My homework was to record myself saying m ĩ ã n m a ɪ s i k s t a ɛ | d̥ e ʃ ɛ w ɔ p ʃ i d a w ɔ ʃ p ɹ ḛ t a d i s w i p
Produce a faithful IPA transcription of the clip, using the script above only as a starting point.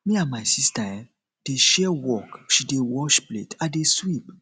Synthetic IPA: m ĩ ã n m a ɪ s i s t a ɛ | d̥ e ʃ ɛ w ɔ k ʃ i d e w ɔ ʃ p l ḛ t a d e s w i p